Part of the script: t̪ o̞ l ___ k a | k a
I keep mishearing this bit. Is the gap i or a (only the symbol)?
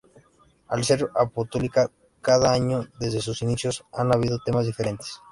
i